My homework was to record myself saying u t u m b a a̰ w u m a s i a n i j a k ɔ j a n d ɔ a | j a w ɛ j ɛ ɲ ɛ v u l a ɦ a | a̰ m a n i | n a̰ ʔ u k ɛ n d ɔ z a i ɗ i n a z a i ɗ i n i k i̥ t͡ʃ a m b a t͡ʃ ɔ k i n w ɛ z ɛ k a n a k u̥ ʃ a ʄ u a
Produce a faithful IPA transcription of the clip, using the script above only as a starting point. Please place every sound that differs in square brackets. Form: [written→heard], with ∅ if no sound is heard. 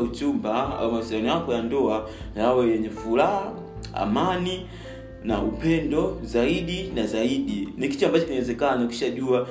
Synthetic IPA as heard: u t u m b a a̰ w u m a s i a n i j a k ɔ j a n d ɔ a | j a w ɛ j ɛ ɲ ɛ [v→f] u l a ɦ a | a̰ m a n i | n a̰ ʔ u [k→p] ɛ n d ɔ z a i ɗ i n a z a i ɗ i n i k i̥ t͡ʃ a m b a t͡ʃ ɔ k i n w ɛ z ɛ k a n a k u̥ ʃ a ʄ u a